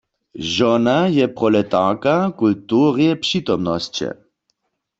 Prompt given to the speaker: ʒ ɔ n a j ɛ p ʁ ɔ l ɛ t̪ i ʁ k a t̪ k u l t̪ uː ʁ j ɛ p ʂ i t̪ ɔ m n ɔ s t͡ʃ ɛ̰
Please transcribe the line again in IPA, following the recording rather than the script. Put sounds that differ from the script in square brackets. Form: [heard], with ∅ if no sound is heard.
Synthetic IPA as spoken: ʒ ɔ n a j ɛ p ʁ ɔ l ɛ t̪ [a] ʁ k a [∅] k u l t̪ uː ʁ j ɛ p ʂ i t̪ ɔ m n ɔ s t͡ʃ ɛ̰